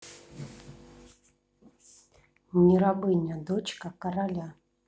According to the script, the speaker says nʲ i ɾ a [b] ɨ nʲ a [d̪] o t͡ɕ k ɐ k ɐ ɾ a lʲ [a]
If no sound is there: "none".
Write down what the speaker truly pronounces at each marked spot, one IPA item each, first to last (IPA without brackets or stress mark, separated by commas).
b, d̪, a